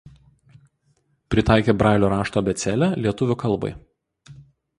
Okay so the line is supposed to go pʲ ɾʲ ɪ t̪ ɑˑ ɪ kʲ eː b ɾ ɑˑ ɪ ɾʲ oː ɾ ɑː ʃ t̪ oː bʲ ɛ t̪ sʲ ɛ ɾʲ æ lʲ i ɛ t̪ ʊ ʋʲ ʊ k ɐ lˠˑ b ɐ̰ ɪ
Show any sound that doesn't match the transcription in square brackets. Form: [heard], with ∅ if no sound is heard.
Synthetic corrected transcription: pʲ ɾʲ ɪ t̪ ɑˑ ɪ kʲ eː b ɾ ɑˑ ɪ [lʲ] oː ɾ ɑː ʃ t̪ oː bʲ ɛ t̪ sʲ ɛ [lʲ] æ lʲ i ɛ t̪ ʊ ʋʲ ʊ k ɐ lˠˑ b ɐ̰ ɪ